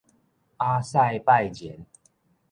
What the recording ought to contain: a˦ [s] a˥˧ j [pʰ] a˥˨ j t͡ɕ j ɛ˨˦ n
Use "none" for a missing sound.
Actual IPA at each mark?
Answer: s, p

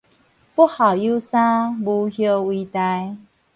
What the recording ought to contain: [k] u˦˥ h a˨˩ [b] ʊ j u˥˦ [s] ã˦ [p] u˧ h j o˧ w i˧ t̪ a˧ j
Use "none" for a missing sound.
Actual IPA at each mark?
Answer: p, none, s, b

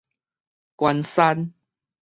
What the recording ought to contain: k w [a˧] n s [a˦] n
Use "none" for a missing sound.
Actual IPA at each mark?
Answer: a˧, a˦

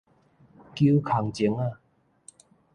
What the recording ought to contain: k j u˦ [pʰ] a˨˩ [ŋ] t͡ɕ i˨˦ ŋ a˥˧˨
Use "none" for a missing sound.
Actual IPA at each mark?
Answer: kʰ, ŋ

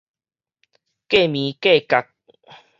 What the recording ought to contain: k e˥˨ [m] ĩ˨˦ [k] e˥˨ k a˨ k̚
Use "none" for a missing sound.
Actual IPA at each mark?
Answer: m, k

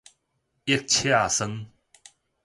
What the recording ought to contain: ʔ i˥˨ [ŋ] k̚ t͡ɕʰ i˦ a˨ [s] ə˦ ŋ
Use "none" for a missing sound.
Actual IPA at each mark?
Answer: none, s

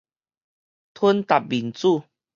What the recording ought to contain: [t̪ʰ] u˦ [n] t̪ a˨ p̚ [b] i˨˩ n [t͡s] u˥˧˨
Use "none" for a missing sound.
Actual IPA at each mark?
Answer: t̪ʰ, n, b, t͡s

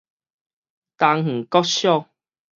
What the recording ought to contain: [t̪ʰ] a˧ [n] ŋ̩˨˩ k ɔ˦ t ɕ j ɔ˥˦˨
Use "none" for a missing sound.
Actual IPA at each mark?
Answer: t̪, ŋ

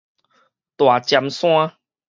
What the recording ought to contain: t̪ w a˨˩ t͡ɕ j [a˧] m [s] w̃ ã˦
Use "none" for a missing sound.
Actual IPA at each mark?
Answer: a˧, s

